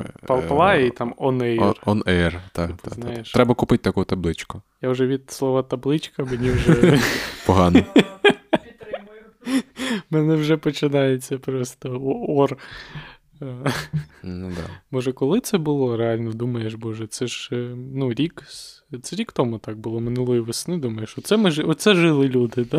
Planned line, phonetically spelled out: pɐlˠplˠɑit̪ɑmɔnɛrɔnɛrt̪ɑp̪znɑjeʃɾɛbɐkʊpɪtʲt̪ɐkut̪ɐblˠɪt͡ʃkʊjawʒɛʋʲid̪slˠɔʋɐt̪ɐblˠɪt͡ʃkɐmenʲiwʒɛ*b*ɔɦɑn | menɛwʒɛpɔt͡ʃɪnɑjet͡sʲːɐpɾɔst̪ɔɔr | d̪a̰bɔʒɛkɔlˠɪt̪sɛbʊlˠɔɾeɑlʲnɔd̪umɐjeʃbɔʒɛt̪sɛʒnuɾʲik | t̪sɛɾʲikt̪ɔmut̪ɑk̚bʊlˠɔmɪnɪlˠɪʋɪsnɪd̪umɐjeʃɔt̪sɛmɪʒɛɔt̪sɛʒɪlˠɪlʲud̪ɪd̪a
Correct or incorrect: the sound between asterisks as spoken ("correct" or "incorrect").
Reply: incorrect